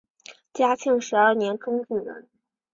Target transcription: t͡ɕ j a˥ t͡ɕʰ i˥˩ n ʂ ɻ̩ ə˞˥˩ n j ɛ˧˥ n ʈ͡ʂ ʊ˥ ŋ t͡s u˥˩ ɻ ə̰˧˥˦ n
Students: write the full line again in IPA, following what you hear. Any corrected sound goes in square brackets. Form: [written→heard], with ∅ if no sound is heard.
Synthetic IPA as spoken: t͡ɕ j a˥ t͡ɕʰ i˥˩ [n→ŋ] ʂ ɻ̩ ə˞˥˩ n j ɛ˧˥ n ʈ͡ʂ ʊ˥ ŋ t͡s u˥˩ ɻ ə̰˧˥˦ n